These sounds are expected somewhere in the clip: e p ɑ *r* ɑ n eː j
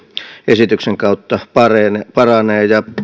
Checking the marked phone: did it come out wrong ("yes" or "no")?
no